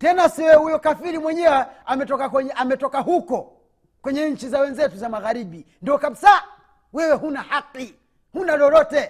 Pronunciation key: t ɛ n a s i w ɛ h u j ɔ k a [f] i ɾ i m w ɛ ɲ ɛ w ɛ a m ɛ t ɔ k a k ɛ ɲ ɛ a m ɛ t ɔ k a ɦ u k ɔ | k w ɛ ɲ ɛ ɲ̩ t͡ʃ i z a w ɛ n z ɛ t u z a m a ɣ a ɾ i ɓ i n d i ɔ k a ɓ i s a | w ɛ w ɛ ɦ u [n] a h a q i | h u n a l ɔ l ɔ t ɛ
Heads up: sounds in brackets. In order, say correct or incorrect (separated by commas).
correct, correct